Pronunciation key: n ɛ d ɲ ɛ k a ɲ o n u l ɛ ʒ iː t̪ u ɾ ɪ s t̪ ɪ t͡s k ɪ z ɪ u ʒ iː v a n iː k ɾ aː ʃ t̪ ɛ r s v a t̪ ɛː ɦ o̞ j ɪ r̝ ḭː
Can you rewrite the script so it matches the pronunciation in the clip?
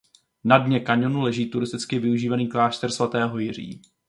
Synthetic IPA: n a d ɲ ɛ k a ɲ o n u l ɛ ʒ iː t̪ u ɾ ɪ s t̪ ɪ t͡s k ɪ v ɪ u ʒ iː v a n iː k l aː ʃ t̪ ɛ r s v a t̪ ɛː ɦ o̞ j ɪ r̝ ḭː